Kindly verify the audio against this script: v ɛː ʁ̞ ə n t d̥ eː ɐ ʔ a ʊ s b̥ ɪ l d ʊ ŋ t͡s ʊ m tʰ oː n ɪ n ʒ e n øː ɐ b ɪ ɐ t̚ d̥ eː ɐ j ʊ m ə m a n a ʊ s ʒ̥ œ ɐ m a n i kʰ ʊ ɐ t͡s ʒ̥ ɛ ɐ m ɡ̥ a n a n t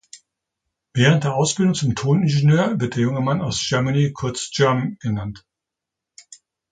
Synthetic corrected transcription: v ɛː ʁ̞ ə n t d̥ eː ɐ ʔ a ʊ s b̥ ɪ l d ʊ ŋ t͡s ʊ m tʰ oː n ɪ n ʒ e n øː ɐ v ɪ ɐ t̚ d̥ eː ɐ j ʊ ŋ ə m a n a ʊ s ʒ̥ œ ɐ m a n i kʰ ʊ ɐ t͡s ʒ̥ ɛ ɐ m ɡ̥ ə n a n t